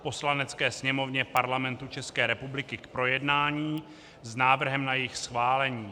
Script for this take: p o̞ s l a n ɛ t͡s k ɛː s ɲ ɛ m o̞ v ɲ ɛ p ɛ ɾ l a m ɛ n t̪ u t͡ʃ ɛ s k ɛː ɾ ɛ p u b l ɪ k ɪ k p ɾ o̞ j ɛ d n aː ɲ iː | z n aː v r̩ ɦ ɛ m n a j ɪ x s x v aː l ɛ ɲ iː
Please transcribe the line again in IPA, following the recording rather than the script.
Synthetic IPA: p o̞ s l a n ɛ t͡s k ɛː s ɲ ɛ m o̞ v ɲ ɛ p a ɾ l a m ɛ n t̪ u t͡ʃ ɛ s k ɛː ɾ ɛ p u b l ɪ k ɪ k p ɾ o̞ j ɛ d n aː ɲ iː | z n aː v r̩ ɦ ɛ m n a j ɪ x s x v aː l ɛ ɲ iː